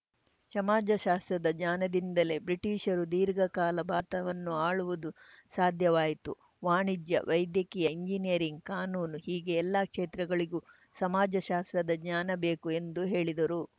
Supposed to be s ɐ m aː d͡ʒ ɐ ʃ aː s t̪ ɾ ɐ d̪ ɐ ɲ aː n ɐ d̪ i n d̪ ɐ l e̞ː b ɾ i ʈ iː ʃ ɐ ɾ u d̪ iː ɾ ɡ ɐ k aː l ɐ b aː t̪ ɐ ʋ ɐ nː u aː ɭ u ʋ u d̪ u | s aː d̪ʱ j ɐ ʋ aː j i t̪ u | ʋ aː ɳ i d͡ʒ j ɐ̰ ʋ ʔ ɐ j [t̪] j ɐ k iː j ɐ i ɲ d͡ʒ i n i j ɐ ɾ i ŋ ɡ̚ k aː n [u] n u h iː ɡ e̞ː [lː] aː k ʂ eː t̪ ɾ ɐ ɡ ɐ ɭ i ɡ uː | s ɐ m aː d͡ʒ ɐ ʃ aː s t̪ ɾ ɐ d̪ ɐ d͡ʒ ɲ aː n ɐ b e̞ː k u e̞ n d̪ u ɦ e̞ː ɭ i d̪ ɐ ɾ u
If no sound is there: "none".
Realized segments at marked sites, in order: d̪, uː, lː

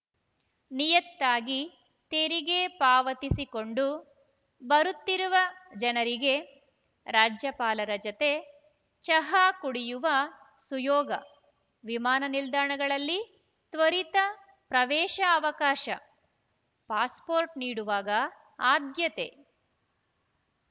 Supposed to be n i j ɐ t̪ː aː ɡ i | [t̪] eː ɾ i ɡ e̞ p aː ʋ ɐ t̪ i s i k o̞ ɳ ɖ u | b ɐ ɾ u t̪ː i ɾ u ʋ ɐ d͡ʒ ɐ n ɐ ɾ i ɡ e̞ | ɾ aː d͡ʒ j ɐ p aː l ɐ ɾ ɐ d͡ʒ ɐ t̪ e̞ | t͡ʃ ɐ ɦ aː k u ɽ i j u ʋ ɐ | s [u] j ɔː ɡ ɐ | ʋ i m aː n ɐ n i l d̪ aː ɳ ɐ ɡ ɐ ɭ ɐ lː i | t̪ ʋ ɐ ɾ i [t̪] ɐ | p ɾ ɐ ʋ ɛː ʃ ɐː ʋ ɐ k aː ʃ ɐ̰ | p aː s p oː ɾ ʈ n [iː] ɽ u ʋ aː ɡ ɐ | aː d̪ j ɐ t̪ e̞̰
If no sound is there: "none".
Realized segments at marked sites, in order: t̪, u, t̪, iː

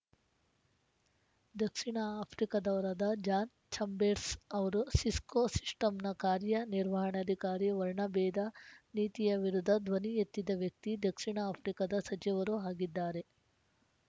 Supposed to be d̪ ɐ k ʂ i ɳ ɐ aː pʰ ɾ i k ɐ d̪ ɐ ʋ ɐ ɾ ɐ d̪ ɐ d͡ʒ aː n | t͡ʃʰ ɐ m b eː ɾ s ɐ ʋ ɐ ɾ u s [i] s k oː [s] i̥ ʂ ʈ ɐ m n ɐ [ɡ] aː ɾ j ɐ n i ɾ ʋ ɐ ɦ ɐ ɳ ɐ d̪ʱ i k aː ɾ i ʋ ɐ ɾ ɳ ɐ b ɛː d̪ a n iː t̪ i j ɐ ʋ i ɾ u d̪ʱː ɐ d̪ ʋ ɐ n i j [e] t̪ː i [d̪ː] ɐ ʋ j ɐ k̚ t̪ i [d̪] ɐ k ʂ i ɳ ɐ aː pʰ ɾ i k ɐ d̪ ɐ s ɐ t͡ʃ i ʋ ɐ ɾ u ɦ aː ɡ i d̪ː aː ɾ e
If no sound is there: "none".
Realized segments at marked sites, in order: i, s, k, e, d̪, d̪

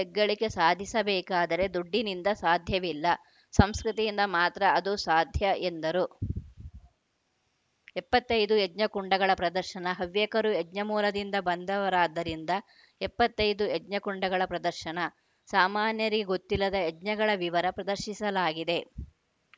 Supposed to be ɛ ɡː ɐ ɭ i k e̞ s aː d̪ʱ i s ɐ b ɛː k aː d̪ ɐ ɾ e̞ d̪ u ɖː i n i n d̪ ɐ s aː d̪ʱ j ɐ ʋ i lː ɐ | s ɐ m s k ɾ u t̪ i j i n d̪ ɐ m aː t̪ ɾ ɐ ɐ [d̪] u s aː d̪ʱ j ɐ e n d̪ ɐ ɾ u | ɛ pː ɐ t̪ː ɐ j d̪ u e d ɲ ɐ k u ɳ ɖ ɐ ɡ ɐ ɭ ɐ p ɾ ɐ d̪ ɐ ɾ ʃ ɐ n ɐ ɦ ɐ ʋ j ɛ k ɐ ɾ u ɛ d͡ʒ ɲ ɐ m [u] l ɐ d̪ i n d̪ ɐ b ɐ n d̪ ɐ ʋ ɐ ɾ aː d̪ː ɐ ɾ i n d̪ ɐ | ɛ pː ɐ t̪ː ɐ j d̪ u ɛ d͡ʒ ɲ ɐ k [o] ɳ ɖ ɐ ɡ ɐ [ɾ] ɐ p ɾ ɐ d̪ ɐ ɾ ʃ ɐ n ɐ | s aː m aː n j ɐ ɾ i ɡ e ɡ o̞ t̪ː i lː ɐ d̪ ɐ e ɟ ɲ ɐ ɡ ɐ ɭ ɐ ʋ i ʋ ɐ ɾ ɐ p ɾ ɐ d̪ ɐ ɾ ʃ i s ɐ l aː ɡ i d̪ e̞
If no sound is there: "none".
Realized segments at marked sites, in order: d̪, uː, u, ɭ

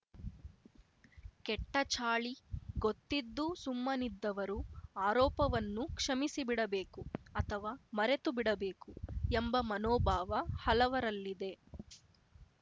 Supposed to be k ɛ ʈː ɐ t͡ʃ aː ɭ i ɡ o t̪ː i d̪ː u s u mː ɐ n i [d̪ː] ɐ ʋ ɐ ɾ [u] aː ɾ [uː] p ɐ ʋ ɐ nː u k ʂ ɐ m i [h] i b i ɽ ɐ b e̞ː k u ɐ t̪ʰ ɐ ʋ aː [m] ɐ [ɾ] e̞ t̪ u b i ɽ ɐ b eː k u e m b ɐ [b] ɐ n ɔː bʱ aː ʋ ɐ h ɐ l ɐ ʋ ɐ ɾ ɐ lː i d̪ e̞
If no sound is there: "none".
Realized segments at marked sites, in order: d̪ː, u, ɔː, s, m, ɾ, m

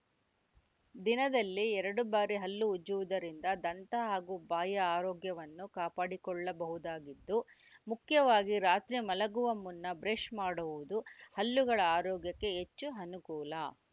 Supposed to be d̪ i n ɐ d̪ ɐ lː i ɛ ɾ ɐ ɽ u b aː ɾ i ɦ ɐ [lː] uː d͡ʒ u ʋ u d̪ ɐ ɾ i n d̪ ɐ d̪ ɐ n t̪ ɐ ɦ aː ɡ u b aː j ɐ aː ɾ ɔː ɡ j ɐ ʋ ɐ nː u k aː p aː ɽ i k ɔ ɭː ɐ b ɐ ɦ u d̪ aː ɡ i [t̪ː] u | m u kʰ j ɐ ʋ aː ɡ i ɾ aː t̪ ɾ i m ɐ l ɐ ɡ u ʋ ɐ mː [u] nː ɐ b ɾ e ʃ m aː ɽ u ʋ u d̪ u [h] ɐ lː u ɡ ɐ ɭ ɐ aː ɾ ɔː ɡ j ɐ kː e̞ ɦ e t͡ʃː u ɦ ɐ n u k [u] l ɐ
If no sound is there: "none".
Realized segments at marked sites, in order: lː, d̪ː, u, h, uː

